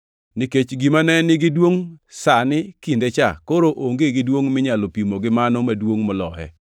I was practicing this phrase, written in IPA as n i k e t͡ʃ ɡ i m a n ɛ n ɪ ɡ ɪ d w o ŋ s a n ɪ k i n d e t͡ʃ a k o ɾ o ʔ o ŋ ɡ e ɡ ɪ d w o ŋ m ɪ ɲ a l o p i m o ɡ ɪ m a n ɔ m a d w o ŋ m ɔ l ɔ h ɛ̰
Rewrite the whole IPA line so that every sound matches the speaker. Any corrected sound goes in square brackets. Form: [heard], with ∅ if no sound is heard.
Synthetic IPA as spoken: n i k e t͡ʃ ɡ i m a n ɛ n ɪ ɡ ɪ d w o ŋ s a n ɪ k i n d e t͡ʃ a k o ɾ o ʔ o ŋ ɡ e ɡ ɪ d w o ŋ m ɪ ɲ a l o p i m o ɡ ɪ m a n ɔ m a d w o ŋ m ɔ l ɔ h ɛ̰